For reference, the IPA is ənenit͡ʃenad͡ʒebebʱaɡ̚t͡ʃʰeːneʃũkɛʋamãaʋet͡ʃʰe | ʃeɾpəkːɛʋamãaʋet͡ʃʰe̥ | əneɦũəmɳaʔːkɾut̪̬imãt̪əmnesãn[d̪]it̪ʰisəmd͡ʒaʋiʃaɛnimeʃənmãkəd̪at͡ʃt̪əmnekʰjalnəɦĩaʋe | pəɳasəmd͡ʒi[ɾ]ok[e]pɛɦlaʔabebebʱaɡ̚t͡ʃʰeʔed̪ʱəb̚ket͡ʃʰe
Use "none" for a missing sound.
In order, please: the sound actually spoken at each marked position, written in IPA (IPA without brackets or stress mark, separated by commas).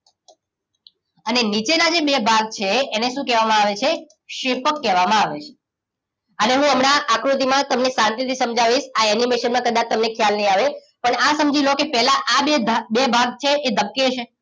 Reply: t̪, l, e